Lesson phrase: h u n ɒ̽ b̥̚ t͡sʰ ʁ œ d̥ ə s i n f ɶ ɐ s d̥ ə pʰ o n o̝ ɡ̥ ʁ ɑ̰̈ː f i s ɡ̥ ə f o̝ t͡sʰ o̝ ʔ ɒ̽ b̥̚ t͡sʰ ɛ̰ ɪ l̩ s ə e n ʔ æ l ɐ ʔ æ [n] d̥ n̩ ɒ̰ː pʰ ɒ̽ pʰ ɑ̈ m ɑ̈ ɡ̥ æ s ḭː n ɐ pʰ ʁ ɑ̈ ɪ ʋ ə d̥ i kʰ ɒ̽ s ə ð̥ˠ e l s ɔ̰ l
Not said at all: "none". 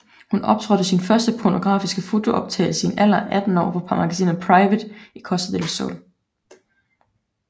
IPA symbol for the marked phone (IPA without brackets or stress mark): none